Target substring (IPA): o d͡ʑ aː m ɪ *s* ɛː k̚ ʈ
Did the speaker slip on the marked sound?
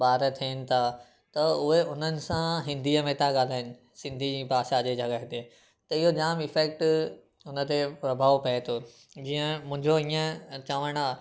yes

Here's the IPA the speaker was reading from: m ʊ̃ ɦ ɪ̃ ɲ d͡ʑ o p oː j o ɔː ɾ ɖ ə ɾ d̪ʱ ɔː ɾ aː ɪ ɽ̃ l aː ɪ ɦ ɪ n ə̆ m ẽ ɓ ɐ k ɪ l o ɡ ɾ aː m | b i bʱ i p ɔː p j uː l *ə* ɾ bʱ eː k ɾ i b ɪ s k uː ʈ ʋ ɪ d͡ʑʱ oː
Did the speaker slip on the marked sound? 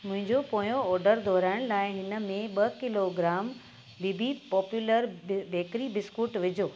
no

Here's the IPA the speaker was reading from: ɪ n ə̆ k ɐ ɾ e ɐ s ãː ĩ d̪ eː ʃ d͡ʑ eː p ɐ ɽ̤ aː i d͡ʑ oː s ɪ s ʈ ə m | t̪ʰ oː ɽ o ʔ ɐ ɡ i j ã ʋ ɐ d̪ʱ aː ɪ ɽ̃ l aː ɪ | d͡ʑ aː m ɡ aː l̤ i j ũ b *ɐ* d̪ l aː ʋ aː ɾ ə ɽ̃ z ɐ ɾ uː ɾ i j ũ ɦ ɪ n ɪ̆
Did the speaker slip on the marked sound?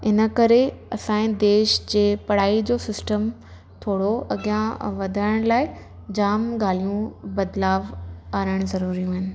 no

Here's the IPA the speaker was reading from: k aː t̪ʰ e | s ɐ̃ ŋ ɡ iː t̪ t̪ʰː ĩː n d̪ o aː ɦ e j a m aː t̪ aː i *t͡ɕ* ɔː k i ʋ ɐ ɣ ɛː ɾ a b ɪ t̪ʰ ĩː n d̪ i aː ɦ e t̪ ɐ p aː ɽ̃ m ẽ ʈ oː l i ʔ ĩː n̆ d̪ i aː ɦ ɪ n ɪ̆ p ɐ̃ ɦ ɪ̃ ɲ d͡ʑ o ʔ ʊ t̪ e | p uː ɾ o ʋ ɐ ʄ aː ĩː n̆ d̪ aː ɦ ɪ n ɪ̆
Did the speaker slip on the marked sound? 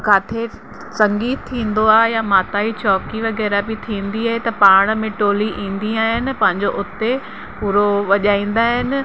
no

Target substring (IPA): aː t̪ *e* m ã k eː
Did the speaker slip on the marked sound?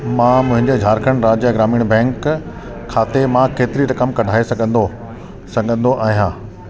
no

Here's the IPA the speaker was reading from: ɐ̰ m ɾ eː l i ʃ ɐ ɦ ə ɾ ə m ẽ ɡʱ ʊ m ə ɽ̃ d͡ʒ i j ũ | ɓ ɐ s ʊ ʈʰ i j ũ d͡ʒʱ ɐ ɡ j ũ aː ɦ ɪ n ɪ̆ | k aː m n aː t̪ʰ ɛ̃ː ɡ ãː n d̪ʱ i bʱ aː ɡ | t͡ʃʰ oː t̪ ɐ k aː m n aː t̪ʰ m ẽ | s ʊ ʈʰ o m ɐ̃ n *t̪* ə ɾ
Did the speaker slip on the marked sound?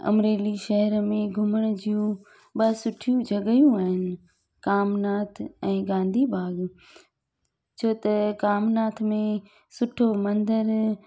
yes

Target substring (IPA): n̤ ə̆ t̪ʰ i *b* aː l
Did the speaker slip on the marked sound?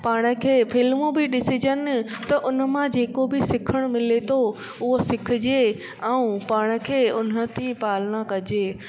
yes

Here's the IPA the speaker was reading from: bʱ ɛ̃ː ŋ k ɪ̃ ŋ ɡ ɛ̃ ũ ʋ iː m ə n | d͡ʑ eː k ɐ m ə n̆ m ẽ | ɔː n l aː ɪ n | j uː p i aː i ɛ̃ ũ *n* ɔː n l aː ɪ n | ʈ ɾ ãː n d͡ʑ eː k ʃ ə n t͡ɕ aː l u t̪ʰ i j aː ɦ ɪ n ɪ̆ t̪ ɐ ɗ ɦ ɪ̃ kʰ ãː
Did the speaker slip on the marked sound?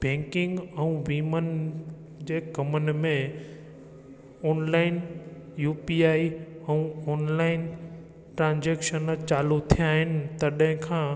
yes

